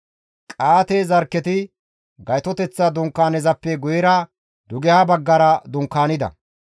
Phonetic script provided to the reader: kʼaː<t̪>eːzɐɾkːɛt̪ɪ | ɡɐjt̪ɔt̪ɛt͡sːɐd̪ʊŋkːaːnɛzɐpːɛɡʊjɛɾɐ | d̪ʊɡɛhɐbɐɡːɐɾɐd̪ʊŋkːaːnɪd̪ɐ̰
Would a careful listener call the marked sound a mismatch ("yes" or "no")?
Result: no